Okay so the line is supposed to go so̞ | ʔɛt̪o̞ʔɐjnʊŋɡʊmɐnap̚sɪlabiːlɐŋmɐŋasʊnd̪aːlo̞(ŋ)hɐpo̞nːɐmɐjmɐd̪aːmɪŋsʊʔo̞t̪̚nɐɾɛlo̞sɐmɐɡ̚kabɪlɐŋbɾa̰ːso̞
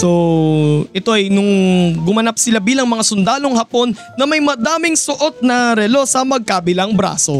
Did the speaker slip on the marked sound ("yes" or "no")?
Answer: no